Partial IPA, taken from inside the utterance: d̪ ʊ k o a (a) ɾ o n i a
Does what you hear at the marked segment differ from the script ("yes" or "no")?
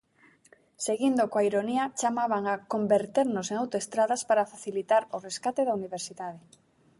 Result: yes